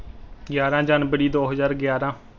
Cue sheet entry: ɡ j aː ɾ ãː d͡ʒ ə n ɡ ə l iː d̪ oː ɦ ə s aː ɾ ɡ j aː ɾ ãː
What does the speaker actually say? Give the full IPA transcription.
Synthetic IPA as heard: ɡ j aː ɾ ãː d͡ʒ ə n b ə ɽ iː d̪ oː ɦ ə z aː ɾ ɡ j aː ɾ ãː